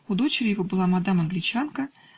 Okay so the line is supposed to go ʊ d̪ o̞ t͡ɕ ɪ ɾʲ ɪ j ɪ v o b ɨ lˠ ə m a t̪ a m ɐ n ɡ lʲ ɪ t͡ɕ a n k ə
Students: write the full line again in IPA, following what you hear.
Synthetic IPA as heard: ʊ d̪ o̞ t͡ɕ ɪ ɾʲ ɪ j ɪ v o b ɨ lˠ a m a d̪ a m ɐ n ɡ lʲ ɪ t͡ɕ a n k ə